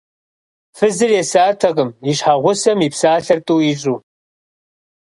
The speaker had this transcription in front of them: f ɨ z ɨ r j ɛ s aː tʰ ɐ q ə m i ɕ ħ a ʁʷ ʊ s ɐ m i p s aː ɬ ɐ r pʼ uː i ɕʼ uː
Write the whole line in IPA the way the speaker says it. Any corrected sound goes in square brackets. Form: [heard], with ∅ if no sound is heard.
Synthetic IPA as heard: f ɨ z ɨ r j ɛ s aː tʰ ɐ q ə m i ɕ ħ a ʁʷ ʊ s ɐ m i p s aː ɬ ɐ r [tʼ] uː i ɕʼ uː